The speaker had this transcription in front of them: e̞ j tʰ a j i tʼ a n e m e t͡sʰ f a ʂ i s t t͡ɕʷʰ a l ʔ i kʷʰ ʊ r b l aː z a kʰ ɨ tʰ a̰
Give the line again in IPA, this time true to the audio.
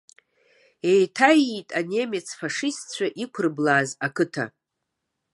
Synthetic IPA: e̞ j tʰ a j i tʼ a n e m e t͡sʰ f a ʂ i s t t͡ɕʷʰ a ʔ i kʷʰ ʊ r b l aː z a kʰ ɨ tʰ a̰